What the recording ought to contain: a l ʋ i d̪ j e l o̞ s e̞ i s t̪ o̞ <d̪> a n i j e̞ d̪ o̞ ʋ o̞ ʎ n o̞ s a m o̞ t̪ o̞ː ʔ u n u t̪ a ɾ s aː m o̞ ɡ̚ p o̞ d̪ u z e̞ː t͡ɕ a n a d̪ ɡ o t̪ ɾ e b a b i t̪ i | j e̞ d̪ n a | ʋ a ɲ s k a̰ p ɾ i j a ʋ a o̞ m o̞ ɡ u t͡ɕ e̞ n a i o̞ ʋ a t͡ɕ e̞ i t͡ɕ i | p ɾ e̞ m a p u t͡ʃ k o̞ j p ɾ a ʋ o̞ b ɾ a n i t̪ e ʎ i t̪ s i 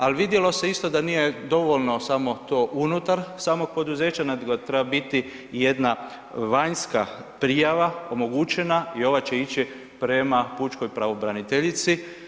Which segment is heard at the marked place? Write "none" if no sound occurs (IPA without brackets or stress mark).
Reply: d̪